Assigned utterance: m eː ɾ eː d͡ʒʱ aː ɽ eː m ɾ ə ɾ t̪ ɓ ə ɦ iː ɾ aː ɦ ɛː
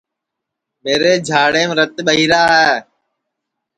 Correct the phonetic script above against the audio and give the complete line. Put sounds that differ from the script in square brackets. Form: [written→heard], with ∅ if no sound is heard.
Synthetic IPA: m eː ɾ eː d͡ʒʱ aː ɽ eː m ɾ ə [ɾ→∅] t̪ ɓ ə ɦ iː ɾ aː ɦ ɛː